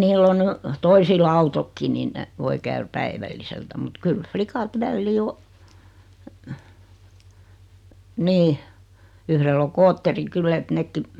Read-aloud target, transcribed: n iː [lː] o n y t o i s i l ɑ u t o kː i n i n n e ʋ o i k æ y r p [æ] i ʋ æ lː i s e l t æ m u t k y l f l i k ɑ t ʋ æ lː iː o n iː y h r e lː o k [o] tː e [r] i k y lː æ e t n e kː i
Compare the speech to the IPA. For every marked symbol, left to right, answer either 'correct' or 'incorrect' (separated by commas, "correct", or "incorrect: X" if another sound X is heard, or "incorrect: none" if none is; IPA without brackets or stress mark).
correct, correct, incorrect: oː, correct